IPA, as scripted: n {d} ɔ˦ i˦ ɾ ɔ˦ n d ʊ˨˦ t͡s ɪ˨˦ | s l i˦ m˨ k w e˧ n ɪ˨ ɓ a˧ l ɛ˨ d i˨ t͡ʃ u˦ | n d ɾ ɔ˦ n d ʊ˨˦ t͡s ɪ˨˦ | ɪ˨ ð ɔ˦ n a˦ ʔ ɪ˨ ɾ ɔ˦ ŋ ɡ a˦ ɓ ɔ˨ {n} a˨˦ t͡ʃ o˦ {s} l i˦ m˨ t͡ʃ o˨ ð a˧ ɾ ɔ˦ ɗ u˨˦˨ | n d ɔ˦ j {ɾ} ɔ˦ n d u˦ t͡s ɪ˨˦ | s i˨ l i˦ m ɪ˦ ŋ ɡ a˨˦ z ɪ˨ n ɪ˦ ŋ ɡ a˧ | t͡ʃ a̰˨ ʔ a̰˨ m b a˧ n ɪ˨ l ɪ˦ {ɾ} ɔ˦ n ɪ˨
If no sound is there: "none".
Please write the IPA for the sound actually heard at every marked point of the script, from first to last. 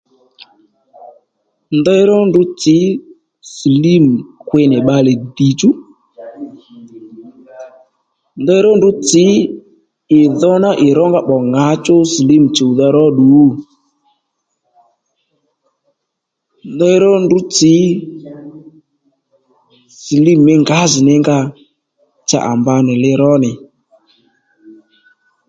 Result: d, ŋ, s, ɾ, ɾ

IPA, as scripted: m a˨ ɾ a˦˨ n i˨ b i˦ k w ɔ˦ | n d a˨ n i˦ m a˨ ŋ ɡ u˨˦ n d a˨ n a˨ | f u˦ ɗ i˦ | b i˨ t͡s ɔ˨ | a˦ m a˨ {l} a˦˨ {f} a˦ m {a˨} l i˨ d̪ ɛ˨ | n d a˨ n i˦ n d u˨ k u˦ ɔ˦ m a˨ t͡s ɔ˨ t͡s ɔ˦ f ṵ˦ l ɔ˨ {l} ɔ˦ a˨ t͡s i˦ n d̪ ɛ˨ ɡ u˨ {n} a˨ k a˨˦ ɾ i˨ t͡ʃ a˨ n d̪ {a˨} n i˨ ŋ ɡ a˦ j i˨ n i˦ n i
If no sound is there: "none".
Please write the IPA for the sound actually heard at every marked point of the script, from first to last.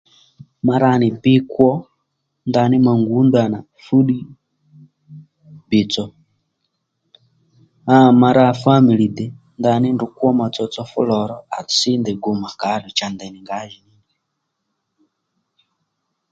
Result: ɾ, f, i˨, ɾ, m, ɛ˨

